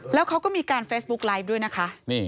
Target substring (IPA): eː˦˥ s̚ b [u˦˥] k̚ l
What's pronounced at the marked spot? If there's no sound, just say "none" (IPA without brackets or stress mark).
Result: u˦˥